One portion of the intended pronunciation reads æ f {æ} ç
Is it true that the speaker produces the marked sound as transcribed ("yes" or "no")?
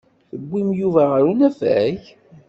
yes